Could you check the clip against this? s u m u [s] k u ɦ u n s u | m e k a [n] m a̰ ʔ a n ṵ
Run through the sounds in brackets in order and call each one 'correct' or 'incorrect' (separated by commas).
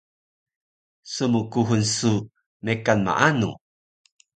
incorrect, correct